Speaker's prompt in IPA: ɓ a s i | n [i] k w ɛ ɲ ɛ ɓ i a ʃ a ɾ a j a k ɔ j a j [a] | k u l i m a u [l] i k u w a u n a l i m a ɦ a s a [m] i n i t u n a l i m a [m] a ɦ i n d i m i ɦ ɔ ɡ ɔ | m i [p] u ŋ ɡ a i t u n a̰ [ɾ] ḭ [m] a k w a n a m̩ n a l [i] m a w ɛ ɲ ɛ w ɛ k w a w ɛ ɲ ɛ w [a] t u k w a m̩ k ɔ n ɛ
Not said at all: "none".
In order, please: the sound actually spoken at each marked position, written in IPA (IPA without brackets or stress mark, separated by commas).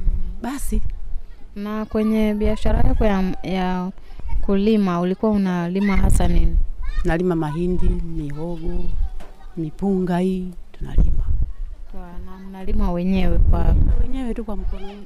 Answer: a, a, l, n, m, p, l, m, i, ɛ